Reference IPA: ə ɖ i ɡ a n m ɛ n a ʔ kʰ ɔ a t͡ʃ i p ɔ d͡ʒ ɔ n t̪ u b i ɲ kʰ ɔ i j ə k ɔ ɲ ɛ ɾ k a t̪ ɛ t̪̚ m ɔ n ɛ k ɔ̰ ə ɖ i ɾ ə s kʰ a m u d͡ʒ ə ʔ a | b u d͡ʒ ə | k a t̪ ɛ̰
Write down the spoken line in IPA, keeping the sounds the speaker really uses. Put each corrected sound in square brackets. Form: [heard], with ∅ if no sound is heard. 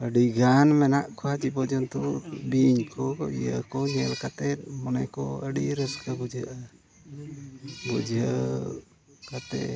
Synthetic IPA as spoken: ə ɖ i ɡ a n m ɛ n a ʔ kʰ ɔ a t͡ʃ i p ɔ d͡ʒ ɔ n t̪ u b i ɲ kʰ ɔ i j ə k ɔ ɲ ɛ [l] k a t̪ ɛ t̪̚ m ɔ n ɛ k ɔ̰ ə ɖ i ɾ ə s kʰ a [b] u d͡ʒ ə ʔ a | b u d͡ʒ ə | k a t̪ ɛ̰